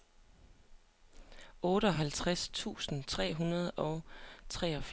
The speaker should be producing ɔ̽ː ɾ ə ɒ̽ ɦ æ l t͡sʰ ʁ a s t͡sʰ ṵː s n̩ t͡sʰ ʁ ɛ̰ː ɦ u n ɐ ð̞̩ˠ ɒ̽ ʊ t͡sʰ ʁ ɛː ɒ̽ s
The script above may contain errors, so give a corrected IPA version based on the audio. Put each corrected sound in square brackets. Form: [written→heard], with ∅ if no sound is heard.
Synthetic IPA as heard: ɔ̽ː ɾ ə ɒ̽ ɦ æ l t͡sʰ ʁ a s t͡sʰ ṵː s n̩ t͡sʰ ʁ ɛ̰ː ɦ u n ɐ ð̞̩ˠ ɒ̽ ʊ t͡sʰ ʁ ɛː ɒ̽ [s→f]